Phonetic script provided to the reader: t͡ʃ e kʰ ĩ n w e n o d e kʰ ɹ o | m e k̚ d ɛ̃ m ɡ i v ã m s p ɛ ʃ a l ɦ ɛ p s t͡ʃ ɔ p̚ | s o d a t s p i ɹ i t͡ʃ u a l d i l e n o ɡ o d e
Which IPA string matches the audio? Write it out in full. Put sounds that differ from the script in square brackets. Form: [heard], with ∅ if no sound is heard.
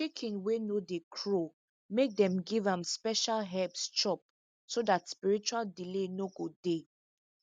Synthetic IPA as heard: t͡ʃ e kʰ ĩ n w e n o d e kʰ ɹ o | m e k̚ d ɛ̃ m ɡ i v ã m s p ɛ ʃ a l ɦ ɛ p s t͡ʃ ɔ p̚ | s o d a t s p i ɹ i t͡ʃ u a l d i l e n o ɡ o d e